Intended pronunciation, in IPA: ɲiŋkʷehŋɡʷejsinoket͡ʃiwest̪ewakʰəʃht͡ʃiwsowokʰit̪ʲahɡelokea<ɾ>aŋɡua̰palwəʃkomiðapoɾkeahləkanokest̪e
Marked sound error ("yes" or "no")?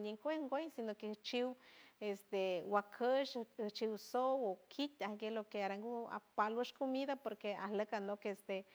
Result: no